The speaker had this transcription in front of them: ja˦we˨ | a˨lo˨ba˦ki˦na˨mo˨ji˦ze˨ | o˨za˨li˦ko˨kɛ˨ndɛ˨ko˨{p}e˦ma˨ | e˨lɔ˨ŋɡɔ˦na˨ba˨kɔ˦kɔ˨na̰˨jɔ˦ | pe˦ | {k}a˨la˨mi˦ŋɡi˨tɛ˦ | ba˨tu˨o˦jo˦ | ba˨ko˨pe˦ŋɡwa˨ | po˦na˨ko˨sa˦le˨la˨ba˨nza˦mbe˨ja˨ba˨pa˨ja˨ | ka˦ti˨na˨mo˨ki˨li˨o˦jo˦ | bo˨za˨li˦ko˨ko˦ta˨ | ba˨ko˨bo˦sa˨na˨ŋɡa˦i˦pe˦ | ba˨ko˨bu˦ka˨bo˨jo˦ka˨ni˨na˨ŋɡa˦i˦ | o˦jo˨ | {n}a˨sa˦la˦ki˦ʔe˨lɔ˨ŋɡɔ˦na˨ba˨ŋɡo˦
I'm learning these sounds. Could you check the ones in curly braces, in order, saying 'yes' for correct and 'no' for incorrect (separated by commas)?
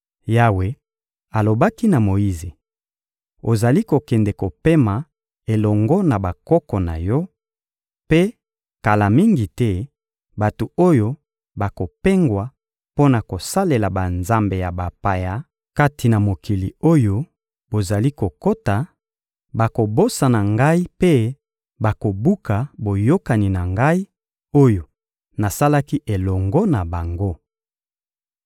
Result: yes, yes, yes